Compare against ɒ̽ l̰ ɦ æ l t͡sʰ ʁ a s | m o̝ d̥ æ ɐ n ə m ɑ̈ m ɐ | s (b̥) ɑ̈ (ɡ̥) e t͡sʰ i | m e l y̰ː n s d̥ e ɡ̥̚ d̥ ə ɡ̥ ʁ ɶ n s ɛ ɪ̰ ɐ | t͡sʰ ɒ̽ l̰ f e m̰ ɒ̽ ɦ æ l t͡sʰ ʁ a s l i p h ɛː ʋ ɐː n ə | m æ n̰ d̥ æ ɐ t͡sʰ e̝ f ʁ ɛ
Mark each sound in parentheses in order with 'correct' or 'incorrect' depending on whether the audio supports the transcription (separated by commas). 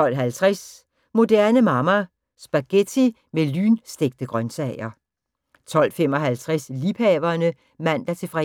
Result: correct, correct